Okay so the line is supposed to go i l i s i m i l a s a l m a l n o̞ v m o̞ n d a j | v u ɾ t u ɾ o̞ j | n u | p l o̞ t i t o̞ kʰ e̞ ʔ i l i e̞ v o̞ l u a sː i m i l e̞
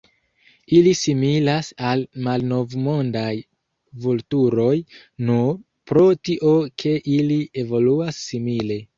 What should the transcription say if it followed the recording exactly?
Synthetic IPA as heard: i l i s i m i l a s a l m a l n o̞ v m o̞ n d a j | v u l t u ɾ o̞ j | n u | p ɾ o̞ t i ʔ o̞ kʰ e̞ ʔ i l i e̞ v o̞ l u a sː i m i l e̞